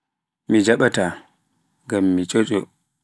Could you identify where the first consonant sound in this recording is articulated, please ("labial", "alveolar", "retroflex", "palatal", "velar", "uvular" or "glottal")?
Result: labial